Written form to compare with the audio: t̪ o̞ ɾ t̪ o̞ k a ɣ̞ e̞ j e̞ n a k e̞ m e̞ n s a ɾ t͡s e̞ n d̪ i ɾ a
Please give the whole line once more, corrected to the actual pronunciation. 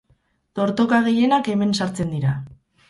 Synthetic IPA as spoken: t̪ o̞ ɾ t̪ o̞ k a ɣ̞ e̞ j e̞ n a k e̞ m e̞ n s a ɾ t͡s e̞ n d̪ i ɾ a